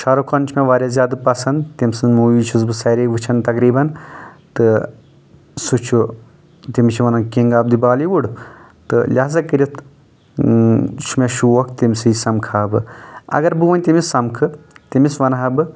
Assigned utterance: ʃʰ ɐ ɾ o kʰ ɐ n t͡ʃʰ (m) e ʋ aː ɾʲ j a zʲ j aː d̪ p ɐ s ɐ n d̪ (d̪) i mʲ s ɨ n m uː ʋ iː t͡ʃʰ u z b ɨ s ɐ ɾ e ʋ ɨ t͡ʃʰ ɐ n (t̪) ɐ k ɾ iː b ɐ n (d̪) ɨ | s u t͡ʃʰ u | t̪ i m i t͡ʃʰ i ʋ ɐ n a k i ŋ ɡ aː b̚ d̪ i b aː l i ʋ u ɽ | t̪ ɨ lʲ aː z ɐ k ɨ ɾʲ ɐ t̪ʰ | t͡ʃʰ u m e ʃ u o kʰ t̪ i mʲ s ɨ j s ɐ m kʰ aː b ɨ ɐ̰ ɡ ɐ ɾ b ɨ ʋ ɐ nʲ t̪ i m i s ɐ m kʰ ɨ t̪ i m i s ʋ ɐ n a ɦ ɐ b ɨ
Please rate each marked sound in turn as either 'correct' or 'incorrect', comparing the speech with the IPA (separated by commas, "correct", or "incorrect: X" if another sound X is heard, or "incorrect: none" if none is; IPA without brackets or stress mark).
correct, incorrect: t̪, correct, incorrect: t̪